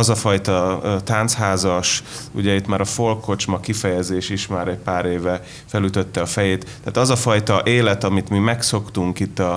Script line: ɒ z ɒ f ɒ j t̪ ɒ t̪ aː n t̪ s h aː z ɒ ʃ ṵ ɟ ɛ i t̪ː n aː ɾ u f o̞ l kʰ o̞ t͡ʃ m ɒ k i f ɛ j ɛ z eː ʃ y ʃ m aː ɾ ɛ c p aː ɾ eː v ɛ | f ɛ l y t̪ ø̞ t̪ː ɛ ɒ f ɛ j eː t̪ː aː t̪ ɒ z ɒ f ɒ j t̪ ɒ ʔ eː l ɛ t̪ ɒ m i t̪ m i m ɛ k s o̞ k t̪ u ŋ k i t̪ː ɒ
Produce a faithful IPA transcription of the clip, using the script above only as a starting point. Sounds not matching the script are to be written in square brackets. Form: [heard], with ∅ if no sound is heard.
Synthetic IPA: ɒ z ɒ f ɒ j t̪ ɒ t̪ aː n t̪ s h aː z ɒ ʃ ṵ ɟ ɛ i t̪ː [m] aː ɾ [ɒ] f o̞ l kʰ o̞ t͡ʃ m ɒ k i f ɛ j ɛ z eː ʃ [i] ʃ m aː ɾ ɛ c p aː ɾ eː v ɛ | f ɛ l y t̪ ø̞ t̪ː ɛ ɒ f ɛ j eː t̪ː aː t̪ ɒ z ɒ f ɒ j t̪ ɒ ʔ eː l ɛ t̪ ɒ m i t̪ m i m ɛ k s o̞ k t̪ u ŋ k i t̪ː ɒ